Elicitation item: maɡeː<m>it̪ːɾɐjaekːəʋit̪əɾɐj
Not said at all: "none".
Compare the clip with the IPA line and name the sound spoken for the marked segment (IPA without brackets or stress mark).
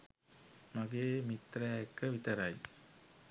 m